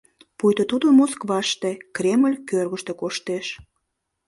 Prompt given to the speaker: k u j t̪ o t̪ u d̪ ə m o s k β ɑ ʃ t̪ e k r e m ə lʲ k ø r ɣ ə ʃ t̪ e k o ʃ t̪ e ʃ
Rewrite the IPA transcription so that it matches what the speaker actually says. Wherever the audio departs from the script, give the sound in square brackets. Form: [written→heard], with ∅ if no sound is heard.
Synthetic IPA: [k→p] u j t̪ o t̪ u d̪ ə m o s k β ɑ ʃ t̪ e k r e m ə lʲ k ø r ɣ ə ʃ t̪ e k o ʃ t̪ e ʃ